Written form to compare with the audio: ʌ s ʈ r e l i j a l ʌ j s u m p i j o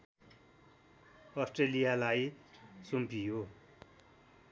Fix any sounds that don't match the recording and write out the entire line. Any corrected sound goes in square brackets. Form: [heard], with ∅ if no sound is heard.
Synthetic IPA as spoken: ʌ s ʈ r e l i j a l [a] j s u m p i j o